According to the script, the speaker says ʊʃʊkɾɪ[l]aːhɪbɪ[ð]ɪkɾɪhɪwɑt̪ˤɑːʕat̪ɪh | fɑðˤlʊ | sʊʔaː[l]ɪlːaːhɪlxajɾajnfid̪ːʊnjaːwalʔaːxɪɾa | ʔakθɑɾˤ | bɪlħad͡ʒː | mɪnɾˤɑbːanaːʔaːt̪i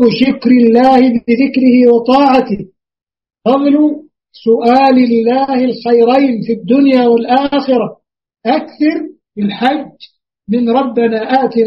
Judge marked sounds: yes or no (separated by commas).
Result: no, yes, yes